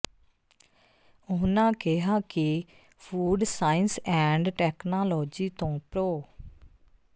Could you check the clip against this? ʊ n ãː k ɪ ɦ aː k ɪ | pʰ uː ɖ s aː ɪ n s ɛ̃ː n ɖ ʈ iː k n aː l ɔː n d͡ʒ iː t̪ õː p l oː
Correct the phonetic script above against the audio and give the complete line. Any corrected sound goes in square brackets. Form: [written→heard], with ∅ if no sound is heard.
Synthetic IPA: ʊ n ãː k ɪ ɦ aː k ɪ | pʰ uː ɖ s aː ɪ n s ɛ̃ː [n→ɳ] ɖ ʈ [iː→ɛː] k n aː l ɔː [n→∅] d͡ʒ iː t̪ õː p [l→ɾ] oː